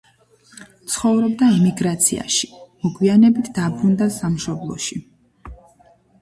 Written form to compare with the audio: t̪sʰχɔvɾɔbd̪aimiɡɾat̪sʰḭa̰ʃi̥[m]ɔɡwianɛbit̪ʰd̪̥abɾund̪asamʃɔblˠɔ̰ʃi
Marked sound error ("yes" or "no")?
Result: no